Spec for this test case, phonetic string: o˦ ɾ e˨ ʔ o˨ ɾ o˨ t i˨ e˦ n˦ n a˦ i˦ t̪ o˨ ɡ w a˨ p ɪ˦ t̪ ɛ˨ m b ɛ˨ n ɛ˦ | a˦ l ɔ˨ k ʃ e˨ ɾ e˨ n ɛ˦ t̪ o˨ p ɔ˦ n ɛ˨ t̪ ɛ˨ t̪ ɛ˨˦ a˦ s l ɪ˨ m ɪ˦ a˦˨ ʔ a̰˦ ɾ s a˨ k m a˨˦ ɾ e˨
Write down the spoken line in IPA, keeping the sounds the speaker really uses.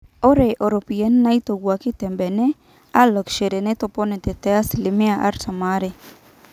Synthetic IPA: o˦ ɾ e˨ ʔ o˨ ɾ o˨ p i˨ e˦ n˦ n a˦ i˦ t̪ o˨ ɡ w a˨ k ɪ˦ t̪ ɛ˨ m b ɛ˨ n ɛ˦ | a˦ l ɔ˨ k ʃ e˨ ɾ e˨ n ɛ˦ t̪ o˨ p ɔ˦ n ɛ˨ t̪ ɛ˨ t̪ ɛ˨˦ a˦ s l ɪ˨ m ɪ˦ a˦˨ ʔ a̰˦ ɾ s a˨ m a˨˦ ɾ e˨